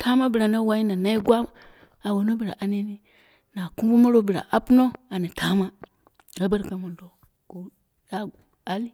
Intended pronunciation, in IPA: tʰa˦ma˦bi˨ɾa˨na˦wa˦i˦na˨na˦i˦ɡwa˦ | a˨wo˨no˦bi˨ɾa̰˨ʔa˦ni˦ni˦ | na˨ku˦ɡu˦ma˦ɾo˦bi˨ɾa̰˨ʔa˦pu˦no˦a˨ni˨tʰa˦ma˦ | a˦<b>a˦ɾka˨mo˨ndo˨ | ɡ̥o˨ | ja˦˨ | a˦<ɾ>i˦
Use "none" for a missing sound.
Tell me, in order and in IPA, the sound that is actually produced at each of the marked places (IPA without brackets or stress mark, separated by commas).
b, l